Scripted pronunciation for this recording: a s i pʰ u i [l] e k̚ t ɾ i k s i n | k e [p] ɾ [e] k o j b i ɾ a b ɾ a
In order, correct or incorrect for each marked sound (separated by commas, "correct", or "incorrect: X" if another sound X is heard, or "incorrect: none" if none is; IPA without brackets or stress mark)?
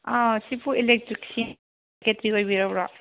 correct, incorrect: t, incorrect: i